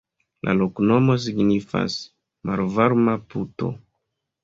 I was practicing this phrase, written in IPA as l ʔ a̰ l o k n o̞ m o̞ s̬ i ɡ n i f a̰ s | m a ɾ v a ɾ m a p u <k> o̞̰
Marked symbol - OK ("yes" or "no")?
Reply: no